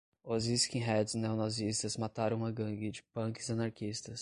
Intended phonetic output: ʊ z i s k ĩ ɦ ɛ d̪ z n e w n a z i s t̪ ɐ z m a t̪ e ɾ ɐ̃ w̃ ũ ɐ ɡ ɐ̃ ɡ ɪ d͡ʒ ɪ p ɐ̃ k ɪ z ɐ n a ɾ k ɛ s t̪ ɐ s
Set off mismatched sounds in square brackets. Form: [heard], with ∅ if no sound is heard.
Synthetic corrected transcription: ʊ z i s k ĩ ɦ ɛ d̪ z n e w n a z i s t̪ ɐ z m a t̪ [a] ɾ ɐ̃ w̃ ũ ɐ ɡ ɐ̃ ɡ ɪ d͡ʒ ɪ p ɐ̃ k ɪ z ɐ n a ɾ k [i] s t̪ ɐ s

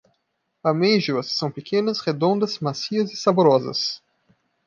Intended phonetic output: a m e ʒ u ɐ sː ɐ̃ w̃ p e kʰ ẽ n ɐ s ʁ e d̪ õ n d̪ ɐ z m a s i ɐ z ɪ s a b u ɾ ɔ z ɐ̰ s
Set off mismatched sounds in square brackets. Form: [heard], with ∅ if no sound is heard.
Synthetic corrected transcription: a m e ʒ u ɐ sː ɐ̃ w̃ p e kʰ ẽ n ɐ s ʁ e d̪ õ n d̪ ɐ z m a s i ɐ z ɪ s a b [o] ɾ ɔ z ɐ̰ s

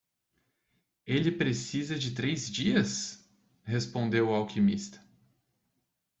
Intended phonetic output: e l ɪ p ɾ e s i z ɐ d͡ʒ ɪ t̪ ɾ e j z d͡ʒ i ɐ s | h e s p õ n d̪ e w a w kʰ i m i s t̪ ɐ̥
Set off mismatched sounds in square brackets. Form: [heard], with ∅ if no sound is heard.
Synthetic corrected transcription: e l ɪ p ɾ e s i z ɐ d͡ʒ ɪ t̪ ɾ e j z d͡ʒ i ɐ s | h e s p õ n d̪ e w a w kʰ i m i s t̪ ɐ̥

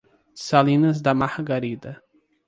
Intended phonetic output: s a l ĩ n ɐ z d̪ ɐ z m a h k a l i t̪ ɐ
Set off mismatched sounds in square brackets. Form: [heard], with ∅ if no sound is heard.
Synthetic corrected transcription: s a l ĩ n ɐ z d̪ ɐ [∅] m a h [ɡ] a [ɾ] i [d̪] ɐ

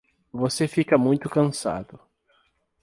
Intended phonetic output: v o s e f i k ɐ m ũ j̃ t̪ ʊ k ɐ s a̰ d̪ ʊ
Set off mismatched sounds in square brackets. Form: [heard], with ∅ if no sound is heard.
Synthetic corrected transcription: v o s e f i k ɐ m ũ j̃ t̪ ʊ k [ɐ̃] s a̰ d̪ ʊ

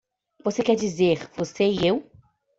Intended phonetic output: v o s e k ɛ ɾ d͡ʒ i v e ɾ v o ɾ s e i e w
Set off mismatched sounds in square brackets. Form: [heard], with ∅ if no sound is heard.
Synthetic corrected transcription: v o s e k ɛ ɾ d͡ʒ i [z] e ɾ v o [∅] s e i e w

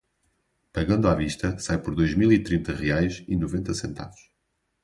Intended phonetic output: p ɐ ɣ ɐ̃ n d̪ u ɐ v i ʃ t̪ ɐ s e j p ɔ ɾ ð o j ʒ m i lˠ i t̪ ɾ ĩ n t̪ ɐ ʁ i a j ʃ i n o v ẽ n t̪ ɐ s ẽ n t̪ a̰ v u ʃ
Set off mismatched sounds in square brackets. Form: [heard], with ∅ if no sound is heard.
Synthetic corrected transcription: p ɐ ɣ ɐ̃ n d̪ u [a] v i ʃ t̪ ɐ s [a] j p ɔ ɾ ð o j ʒ m i lˠ i t̪ ɾ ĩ n t̪ ɐ ʁ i a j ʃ i n [u] v ẽ n t̪ ɐ s ẽ n t̪ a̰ v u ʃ

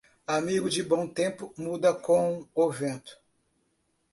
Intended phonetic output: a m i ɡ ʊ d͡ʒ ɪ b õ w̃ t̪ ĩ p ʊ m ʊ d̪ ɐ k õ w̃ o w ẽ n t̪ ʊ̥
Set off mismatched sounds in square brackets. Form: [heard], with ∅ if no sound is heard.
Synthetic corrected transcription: a m i ɡ ʊ d͡ʒ ɪ b õ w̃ t̪ [ẽ] p ʊ m [u] d̪ ɐ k õ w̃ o [v] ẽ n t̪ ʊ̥

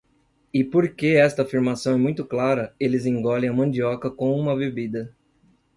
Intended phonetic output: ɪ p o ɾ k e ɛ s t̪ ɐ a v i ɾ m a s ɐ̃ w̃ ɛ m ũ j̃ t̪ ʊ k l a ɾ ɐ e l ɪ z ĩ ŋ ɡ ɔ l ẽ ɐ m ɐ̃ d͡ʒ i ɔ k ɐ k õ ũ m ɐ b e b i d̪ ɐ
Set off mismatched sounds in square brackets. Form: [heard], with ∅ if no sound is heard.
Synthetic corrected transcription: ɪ p o ɾ k e ɛ s t̪ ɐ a [f] i ɾ m a s ɐ̃ w̃ ɛ m ũ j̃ t̪ ʊ k l a ɾ ɐ e l ɪ z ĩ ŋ ɡ ɔ l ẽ ɐ m ɐ̃ d͡ʒ i ɔ k ɐ k õ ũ m ɐ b e b i d̪ ɐ

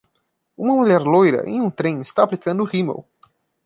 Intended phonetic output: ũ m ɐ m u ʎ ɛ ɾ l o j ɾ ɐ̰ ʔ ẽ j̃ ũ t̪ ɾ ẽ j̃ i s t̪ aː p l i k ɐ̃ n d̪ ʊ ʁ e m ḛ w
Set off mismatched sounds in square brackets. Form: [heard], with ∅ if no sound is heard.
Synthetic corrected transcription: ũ m ɐ m u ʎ ɛ ɾ l o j ɾ ɐ̰ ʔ ẽ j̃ ũ t̪ ɾ ẽ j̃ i s t̪ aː p l i k ɐ̃ n d̪ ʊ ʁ [i] m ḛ w

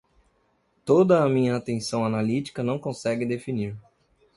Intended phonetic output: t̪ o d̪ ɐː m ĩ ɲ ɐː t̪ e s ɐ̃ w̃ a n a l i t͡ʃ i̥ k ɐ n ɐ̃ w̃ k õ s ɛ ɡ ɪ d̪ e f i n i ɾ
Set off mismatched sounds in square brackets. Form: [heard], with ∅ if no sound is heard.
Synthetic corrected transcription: t̪ o d̪ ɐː m ĩ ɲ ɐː t̪ [ẽ] s ɐ̃ w̃ a n a l i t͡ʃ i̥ k ɐ n ɐ̃ w̃ k õ s ɛ ɡ ɪ d̪ e f i n i ɾ

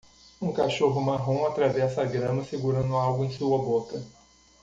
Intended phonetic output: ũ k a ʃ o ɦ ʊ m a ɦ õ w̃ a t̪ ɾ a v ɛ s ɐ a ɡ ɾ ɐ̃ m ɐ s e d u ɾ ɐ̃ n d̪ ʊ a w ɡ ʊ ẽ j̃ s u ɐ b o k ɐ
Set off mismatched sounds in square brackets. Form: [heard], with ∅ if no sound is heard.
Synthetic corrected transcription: ũ k a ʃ o ɦ ʊ m a ɦ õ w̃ a t̪ ɾ a v ɛ s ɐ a ɡ ɾ ɐ̃ m ɐ s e [ɡ] u ɾ ɐ̃ n d̪ ʊ a w ɡ ʊ ẽ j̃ s u ɐ b o k ɐ

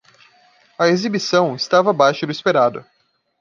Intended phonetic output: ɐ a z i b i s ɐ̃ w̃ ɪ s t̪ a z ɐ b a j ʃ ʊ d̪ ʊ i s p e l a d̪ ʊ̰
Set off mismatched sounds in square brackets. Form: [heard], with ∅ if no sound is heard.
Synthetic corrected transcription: ɐ [e] z i b i s ɐ̃ w̃ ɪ s t̪ a [v] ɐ b a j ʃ ʊ d̪ ʊ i s p e [ɾ] a d̪ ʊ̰

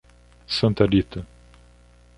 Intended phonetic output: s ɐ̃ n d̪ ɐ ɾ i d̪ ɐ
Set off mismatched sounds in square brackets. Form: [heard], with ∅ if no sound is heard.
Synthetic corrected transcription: s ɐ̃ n [t̪] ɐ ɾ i [t̪] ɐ

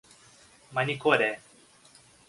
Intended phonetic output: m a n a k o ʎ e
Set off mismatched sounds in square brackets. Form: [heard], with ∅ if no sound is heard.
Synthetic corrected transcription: m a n [i] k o [ɾ] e

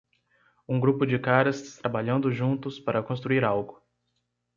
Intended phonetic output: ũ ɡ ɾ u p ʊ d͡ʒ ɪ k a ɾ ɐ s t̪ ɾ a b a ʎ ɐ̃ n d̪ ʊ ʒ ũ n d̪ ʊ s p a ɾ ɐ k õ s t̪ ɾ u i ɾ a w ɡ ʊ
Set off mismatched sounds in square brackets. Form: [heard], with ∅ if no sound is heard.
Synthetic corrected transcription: ũ ɡ ɾ u p ʊ d͡ʒ ɪ k a ɾ ɐ s t̪ ɾ a b a ʎ ɐ̃ n d̪ ʊ ʒ ũ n [t̪] ʊ s p a ɾ ɐ k õ s t̪ ɾ u i ɾ a w ɡ ʊ

